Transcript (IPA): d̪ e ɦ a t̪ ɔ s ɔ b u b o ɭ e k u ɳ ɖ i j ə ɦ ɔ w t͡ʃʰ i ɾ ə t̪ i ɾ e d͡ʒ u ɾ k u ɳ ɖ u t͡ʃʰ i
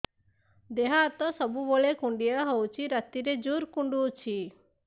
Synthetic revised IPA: d̪ e ɦ a t̪ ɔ s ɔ b u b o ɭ e k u ɳ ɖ i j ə ɦ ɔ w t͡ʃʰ i ɾ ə t̪ i ɾ e d͡ʒ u ɾ k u ɳ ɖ u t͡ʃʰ i